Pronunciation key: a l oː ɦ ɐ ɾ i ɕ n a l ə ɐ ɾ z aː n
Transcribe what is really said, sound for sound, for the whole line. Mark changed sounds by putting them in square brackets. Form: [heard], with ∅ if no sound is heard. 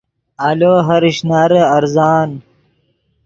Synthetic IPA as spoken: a l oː ɦ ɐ ɾ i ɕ n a [ɾ] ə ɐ ɾ z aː n